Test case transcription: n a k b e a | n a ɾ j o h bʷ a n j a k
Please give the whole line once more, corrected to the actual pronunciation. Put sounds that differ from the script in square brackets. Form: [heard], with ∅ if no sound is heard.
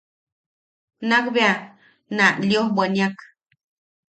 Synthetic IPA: n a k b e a | n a [l] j o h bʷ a n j a k

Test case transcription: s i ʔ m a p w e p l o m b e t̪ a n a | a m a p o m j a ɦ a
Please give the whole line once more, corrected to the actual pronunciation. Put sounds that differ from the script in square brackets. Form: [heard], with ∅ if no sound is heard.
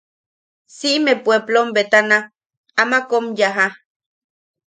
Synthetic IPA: s i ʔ m [e] p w e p l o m b e t̪ a n a | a m a [k] o m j a ɦ a

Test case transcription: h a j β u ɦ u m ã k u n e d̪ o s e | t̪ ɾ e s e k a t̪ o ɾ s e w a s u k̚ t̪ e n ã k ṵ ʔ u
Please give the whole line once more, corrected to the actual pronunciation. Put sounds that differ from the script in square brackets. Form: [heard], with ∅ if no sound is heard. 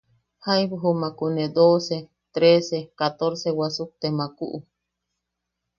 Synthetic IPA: h a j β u ɦ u m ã k u n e d̪ o s e | t̪ ɾ e s e k a t̪ o ɾ s e w a s u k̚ t̪ e [m] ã k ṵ ʔ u

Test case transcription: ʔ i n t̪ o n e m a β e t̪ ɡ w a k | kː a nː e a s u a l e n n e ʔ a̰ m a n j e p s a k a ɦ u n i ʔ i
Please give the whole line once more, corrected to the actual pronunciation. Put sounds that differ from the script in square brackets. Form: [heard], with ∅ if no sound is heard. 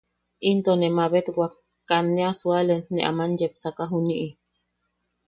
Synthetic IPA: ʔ i n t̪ o n e m a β e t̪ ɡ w a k | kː a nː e a s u a l e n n e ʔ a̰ m a n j e p s a k a ɦ u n i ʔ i

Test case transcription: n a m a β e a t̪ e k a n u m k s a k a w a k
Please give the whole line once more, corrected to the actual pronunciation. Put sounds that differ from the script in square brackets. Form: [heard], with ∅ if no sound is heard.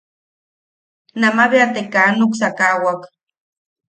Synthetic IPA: n a m a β e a t̪ e k a n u [∅] k s a k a w a k

